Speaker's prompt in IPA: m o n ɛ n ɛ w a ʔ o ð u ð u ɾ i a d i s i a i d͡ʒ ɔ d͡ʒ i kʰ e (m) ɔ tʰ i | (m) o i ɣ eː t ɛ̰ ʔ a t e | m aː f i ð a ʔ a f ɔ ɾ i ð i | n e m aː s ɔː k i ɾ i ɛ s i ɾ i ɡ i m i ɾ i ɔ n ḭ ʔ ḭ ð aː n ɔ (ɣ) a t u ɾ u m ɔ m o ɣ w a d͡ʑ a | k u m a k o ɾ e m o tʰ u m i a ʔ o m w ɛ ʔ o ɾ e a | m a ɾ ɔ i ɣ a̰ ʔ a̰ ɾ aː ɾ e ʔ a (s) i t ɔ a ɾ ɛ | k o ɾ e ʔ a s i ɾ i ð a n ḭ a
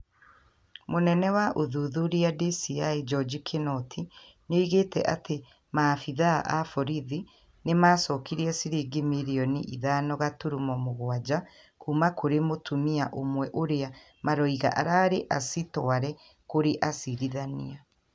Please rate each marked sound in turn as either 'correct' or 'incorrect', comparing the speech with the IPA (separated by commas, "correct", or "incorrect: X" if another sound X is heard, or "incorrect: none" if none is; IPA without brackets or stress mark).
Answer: incorrect: n, incorrect: n, correct, correct